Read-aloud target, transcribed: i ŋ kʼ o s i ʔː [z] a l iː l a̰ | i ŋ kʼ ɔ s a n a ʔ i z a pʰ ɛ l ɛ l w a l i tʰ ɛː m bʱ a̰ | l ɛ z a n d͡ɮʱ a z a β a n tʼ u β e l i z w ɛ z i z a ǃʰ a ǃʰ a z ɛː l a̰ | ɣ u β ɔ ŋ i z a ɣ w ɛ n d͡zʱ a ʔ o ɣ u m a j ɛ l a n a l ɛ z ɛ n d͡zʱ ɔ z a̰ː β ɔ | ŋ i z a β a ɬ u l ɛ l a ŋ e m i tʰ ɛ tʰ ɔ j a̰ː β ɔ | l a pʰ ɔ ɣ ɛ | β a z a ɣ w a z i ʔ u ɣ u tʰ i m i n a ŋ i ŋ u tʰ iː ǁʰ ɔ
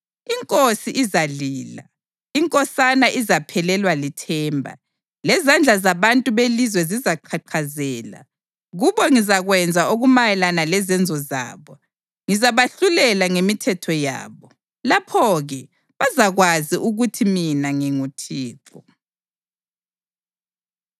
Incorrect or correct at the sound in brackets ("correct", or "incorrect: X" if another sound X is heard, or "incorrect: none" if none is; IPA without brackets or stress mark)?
correct